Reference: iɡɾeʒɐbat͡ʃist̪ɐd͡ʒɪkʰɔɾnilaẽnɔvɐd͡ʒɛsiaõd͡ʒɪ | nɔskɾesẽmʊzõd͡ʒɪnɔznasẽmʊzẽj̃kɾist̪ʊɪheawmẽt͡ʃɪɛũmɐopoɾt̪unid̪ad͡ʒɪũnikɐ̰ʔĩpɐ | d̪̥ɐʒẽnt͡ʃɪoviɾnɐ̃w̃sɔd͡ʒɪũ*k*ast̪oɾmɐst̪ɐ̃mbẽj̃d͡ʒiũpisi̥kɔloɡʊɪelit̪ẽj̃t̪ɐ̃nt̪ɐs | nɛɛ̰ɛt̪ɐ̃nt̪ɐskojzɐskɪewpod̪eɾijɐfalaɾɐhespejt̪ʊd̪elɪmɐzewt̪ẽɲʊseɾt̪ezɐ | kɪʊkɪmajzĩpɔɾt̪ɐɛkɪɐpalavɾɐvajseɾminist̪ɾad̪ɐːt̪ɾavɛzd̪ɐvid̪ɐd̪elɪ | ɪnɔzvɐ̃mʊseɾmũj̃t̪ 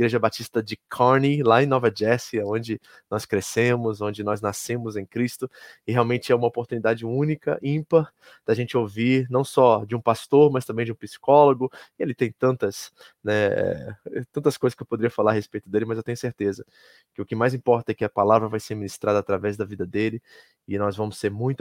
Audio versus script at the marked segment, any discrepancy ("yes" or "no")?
yes